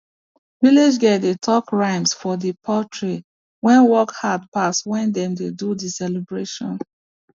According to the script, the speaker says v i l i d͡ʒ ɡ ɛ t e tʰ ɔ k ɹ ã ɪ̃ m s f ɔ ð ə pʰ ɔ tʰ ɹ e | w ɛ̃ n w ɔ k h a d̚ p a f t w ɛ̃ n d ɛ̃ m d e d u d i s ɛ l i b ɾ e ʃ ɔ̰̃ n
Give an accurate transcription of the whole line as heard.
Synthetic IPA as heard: v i l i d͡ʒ ɡ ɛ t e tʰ ɔ k ɹ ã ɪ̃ m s f ɔ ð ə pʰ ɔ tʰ ɹ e | w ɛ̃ n w ɔ k h a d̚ p a s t w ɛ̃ n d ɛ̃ m d e d u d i s ɛ l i b ɹ e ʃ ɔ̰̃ n